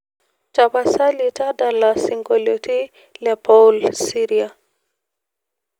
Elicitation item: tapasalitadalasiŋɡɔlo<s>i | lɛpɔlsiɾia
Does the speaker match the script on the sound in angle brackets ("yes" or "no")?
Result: no